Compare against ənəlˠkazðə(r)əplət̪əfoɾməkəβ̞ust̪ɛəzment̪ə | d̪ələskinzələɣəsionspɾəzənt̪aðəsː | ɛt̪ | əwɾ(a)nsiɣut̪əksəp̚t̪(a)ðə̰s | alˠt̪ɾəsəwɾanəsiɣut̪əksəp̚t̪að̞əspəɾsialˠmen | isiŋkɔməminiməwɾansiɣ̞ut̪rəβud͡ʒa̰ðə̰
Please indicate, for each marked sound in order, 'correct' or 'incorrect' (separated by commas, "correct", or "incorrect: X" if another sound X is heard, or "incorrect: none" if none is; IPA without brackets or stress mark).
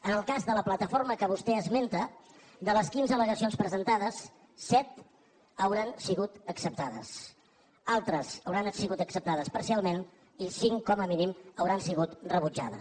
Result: incorrect: l, correct, correct